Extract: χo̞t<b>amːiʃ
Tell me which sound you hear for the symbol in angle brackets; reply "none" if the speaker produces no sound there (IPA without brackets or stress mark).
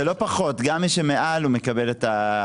ɡ